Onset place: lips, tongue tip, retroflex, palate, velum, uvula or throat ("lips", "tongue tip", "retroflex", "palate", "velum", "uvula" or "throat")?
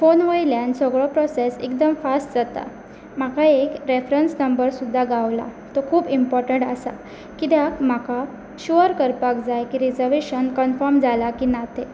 lips